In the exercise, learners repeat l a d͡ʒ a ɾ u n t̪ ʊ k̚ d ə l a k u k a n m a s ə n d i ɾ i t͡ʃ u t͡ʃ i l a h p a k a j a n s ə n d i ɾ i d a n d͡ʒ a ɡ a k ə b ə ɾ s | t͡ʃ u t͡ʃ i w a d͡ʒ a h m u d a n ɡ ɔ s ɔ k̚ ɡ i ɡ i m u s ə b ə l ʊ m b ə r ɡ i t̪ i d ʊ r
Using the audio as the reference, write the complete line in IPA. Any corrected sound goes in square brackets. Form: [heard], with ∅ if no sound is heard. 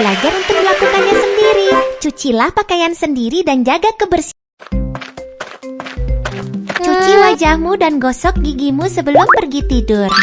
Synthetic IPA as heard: l a d͡ʒ a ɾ u n t̪ ʊ k̚ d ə l a k u k a n [ɲ] a s ə n d i ɾ i t͡ʃ u t͡ʃ i l a h p a k a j a n s ə n d i ɾ i d a n d͡ʒ a ɡ a k ə b ə [r] s | t͡ʃ u t͡ʃ i w a d͡ʒ a h m u d a n ɡ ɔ s ɔ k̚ ɡ i ɡ i m u s ə b ə l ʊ m [p] ə r ɡ i t̪ i d ʊ r